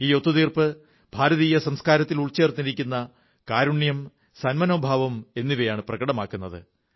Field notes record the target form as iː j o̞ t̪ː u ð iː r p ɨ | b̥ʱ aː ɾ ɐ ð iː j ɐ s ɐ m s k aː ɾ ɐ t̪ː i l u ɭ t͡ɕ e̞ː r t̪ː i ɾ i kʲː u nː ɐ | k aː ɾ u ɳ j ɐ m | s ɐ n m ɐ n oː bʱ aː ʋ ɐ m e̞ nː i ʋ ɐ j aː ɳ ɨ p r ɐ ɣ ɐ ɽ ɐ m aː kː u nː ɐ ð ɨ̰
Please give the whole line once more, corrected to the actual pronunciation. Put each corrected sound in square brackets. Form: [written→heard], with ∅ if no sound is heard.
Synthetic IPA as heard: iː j o̞ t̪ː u ð iː r p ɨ | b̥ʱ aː ɾ ɐ ð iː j ɐ s ɐ m s k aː ɾ ɐ t̪ː i l u ɭ t͡ɕ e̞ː r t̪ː i ɾ i kʲː u nː ɐ | k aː ɾ u ɳ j ɐ m | s ɐ n m ɐ n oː bʱ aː ʋ ɐ m e̞ nː i ʋ ɐ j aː ɳ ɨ p r ɐ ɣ ɐ ɽ ɐ m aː kː u nː ɐ ð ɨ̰